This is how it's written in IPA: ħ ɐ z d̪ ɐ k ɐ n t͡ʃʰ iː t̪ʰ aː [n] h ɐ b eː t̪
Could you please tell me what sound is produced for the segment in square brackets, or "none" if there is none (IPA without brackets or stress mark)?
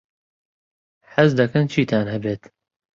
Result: n